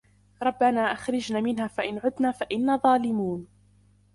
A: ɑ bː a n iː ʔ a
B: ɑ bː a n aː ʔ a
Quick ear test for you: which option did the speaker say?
B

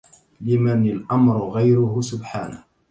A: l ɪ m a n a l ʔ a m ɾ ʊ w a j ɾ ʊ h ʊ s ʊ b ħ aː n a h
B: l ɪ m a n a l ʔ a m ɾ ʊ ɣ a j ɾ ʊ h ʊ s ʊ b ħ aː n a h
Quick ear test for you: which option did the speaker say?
B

